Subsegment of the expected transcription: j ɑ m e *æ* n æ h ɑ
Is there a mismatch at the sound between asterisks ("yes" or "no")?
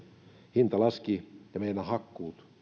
yes